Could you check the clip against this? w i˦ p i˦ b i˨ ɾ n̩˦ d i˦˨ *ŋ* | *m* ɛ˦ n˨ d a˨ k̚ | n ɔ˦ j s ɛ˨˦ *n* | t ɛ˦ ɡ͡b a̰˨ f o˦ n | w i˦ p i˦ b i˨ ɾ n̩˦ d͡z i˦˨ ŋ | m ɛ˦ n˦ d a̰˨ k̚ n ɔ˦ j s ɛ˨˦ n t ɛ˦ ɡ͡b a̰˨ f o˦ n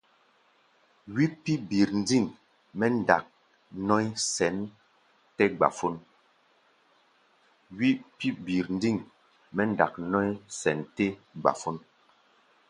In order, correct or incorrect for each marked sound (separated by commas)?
correct, correct, correct